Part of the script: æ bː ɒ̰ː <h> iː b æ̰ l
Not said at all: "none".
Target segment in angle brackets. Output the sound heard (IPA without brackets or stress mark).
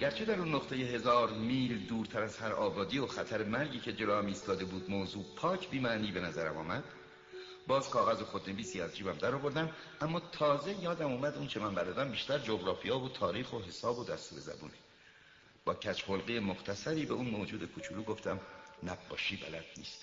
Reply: ʃ